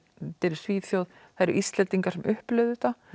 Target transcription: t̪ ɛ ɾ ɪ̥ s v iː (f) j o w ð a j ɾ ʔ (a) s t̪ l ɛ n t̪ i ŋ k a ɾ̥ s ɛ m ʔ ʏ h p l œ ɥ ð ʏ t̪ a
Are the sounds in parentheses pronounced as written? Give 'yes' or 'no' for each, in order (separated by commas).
no, no